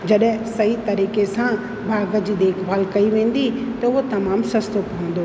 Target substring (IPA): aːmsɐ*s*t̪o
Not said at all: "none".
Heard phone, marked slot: s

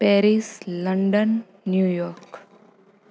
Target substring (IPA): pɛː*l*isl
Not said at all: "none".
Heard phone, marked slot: ɾ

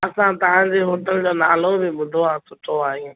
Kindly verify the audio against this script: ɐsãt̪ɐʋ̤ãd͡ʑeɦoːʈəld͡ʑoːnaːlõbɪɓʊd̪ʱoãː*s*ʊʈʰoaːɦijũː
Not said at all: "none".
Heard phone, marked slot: s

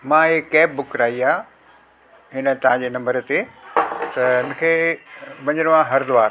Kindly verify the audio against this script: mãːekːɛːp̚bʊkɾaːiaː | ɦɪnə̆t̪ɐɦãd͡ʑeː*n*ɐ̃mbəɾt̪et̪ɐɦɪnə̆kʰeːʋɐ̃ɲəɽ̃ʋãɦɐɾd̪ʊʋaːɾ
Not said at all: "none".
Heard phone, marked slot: n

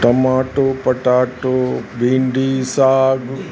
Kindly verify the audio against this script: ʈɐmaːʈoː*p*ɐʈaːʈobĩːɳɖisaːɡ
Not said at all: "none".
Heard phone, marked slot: p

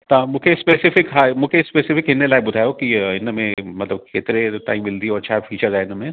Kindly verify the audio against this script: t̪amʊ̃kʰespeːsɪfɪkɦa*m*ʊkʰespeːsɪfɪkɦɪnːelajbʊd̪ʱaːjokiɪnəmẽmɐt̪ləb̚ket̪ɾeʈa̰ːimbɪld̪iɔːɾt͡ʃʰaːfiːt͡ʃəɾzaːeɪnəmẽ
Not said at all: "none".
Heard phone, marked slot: m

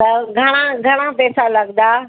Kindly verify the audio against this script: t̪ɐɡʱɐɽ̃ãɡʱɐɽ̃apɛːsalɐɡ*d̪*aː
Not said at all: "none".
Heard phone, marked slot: d̪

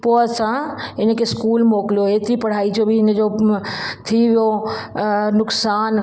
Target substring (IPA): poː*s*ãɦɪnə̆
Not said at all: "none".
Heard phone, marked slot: s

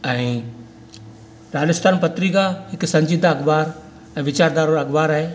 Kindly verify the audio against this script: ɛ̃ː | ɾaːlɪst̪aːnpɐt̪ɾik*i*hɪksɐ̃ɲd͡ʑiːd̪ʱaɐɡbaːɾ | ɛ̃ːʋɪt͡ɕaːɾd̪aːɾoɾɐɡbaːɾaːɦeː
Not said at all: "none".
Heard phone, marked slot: a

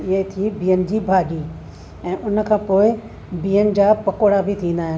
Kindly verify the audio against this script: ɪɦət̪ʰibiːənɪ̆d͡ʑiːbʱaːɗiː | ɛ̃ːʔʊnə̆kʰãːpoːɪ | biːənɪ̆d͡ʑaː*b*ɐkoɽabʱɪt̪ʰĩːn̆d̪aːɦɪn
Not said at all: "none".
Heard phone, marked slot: p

